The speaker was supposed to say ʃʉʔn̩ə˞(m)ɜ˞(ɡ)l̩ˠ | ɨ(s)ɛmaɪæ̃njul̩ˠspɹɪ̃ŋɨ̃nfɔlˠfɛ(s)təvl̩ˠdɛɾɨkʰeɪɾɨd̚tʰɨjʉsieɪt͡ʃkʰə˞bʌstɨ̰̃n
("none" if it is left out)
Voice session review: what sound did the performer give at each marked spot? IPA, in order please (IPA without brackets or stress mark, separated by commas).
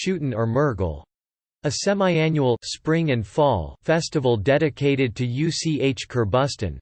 m, ɡ, s, s